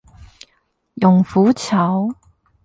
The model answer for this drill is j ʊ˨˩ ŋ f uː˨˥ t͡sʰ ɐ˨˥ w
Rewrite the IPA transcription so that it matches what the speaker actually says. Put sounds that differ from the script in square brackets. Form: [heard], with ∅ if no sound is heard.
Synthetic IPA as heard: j ʊ˨˩ ŋ f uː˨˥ t͡sʰ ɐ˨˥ w